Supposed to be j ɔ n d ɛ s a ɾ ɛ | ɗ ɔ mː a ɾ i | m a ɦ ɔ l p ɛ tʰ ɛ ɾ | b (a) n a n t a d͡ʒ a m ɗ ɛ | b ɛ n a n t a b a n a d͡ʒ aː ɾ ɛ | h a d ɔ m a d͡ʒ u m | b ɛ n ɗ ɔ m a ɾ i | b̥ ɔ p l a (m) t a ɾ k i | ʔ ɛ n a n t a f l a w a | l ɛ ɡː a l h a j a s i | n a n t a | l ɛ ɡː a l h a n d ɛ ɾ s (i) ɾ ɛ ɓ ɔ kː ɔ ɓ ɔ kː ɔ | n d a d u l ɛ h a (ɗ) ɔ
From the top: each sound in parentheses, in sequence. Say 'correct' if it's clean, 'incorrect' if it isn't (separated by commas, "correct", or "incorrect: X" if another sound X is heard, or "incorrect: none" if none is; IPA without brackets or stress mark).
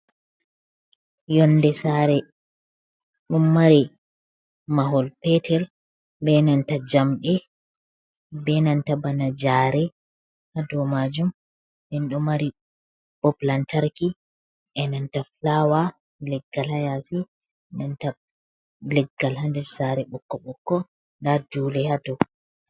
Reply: incorrect: ɛ, incorrect: n, incorrect: a, incorrect: d